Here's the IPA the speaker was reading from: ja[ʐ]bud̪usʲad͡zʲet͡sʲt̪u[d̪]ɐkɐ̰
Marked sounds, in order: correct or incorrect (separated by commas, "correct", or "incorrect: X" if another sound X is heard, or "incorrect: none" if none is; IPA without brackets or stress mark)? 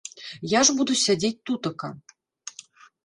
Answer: correct, incorrect: t̪